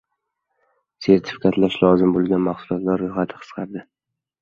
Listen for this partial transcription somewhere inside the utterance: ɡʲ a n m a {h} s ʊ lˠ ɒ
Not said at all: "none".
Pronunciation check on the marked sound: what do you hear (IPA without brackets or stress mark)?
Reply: χ